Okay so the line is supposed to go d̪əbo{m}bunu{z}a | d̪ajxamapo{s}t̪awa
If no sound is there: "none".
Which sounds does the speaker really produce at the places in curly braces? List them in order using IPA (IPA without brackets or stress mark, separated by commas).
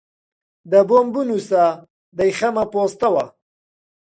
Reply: m, s, s